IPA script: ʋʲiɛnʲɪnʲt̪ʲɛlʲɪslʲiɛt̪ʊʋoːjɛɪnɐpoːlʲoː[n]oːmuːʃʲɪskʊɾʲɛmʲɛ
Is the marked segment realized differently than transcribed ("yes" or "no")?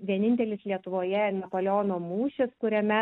no